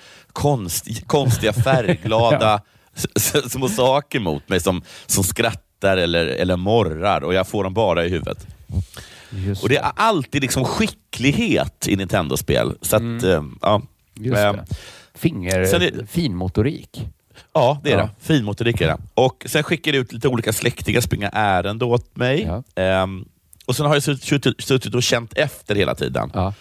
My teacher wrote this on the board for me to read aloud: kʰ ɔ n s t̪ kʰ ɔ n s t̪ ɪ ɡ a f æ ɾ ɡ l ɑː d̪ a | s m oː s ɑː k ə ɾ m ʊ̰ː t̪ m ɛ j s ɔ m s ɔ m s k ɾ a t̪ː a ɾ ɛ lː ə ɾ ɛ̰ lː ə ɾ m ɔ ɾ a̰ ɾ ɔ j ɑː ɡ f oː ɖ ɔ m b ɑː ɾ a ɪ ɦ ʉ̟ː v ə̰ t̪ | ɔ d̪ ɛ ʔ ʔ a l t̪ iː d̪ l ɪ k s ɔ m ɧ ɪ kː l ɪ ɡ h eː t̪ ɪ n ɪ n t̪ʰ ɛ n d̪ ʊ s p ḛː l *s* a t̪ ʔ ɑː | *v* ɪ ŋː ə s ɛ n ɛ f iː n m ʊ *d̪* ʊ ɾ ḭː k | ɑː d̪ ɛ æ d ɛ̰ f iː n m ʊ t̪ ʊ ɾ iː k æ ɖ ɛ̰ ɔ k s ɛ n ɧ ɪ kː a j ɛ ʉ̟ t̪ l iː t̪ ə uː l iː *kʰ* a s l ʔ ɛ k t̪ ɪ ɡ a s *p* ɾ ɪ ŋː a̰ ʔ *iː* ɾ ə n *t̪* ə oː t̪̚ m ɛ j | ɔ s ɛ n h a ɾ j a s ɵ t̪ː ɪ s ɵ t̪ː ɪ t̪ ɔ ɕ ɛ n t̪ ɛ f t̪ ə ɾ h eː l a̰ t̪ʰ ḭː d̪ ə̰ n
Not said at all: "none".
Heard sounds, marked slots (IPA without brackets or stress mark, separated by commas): s, f, t̪, k, p, æː, d̪